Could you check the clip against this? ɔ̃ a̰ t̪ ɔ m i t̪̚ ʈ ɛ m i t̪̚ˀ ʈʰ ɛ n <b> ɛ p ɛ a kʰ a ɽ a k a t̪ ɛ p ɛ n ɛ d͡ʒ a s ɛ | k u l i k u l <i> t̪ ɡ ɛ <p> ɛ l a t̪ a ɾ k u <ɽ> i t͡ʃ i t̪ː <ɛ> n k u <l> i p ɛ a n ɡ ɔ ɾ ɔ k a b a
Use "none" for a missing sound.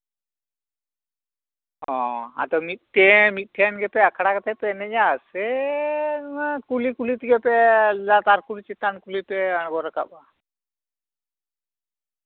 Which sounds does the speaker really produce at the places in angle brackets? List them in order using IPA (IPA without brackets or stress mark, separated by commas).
ɡ, i, p, l, a, l